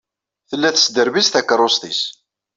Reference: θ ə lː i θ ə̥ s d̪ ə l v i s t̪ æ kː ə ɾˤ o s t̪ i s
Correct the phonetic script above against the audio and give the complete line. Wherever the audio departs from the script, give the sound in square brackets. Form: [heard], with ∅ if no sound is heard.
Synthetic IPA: θ ə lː [æ] θ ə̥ s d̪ ə [ɾ] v i s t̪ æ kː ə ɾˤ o s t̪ i s